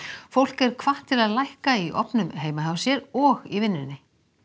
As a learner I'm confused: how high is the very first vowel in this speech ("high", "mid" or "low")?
mid